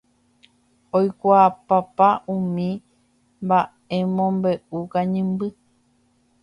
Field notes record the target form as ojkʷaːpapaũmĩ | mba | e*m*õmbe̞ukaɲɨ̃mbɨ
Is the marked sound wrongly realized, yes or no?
no